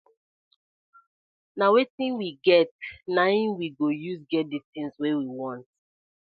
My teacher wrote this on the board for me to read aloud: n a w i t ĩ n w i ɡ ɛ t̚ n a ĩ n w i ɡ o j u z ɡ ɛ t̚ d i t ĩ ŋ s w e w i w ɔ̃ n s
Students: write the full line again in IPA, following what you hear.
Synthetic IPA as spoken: n a w e t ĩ n w i ɡ ɛ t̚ n a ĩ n w i ɡ o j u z ɡ ɛ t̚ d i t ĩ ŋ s w e w i w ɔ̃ n t